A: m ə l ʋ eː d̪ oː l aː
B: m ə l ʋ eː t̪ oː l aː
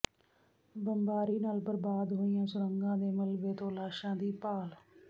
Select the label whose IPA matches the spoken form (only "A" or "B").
B